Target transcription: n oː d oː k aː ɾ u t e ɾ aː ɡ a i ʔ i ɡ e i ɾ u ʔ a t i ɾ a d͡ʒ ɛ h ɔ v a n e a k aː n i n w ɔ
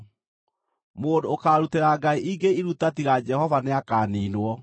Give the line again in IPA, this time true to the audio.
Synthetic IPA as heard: m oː d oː k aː ɾ u t e ɾ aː ɡ a i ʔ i ɡ e i ɾ u t a t i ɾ a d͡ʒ ɛ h ɔ v a n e a k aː n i n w ɔ